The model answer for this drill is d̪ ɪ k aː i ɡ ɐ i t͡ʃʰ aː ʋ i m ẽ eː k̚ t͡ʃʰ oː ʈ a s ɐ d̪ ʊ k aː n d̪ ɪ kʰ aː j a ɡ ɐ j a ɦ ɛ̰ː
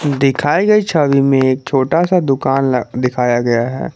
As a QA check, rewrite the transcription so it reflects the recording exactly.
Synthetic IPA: d̪ ɪ kʰ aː i ɡ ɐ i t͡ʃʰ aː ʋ i m ẽ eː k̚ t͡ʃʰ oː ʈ a s a d̪ ʊ k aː n d̪ ɪ kʰ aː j a ɡ ɐ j a ɦ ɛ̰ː